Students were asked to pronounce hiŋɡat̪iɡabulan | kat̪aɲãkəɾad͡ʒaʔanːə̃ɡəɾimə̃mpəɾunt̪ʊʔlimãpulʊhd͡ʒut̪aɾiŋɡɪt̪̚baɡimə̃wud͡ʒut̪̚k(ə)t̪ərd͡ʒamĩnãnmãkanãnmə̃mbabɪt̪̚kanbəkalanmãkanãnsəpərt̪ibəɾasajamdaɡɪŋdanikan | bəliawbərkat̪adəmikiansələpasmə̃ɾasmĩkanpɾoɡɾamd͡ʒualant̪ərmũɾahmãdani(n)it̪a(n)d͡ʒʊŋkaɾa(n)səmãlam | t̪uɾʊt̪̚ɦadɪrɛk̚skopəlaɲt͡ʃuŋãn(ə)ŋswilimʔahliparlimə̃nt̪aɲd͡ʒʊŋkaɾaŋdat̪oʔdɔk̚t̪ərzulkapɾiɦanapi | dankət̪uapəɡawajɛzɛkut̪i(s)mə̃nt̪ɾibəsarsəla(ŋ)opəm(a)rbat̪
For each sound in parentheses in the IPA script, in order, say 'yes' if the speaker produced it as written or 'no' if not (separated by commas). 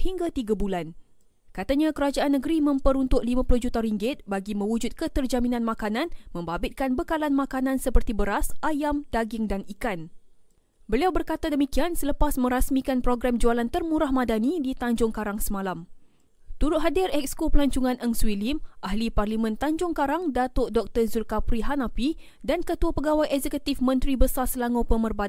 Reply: yes, no, no, no, yes, no, yes, no